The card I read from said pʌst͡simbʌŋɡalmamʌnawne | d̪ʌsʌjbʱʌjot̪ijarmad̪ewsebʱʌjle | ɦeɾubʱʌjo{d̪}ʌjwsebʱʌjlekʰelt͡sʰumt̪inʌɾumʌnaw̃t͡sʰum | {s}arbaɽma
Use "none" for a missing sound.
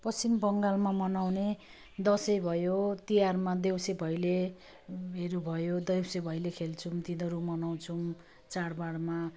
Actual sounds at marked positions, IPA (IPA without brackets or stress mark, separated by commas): d̪, t͡s